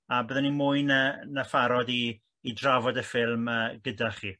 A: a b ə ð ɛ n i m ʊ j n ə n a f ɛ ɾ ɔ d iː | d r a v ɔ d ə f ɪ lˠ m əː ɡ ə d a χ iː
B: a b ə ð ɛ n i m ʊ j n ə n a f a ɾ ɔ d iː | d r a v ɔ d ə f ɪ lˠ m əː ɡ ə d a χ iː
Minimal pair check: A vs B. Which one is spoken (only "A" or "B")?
B